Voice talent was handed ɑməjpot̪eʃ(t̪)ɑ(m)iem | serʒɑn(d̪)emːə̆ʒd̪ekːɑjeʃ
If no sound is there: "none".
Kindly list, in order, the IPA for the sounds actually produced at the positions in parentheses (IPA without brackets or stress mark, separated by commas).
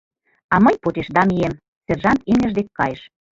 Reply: d̪, m, t̪